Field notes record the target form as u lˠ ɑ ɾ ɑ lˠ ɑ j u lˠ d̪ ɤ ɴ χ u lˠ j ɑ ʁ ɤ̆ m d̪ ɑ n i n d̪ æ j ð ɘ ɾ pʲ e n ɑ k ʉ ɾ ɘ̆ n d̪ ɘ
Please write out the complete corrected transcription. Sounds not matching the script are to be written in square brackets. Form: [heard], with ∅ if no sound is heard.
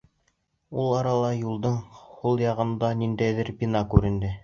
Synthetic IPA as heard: u lˠ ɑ ɾ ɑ lˠ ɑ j u lˠ d̪ ɤ ɴ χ u lˠ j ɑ ʁ ɤ̆ [n] d̪ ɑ n i n d̪ æ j ð ɘ ɾ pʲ [i] n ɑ k ʉ ɾ ɘ̆ n d̪ ɘ